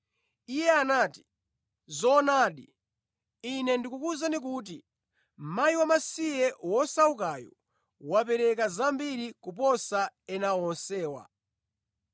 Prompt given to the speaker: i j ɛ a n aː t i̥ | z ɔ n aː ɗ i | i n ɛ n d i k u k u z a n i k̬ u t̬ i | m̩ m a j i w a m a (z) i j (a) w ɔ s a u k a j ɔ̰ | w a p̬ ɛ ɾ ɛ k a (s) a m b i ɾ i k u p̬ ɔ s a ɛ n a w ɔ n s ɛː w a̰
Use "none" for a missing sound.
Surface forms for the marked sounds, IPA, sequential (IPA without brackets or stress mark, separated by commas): s, ɛ, z